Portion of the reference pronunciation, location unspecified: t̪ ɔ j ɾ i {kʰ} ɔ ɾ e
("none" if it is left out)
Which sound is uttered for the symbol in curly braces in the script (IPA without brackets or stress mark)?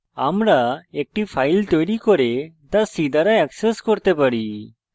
k